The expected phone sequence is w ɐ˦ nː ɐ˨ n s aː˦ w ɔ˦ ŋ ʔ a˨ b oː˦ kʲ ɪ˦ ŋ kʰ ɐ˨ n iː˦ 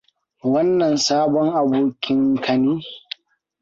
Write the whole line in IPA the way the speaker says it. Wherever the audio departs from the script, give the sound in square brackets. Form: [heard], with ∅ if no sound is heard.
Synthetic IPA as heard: w ɐ˦ nː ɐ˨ n s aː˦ [b] ɔ˦ ŋ ʔ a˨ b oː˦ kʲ ɪ˦ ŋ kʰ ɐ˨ n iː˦